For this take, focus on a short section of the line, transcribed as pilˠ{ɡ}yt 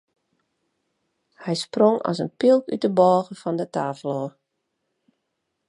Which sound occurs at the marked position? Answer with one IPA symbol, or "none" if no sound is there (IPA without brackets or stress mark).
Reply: k